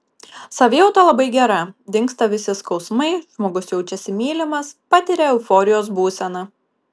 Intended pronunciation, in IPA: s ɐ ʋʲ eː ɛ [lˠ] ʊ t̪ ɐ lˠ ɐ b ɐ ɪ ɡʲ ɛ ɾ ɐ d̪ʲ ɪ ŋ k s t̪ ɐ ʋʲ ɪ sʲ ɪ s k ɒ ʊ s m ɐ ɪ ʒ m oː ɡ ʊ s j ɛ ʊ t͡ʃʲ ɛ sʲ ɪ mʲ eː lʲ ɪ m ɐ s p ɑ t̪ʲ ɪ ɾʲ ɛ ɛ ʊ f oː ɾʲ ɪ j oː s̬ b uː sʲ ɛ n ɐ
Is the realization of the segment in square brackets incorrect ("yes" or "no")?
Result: yes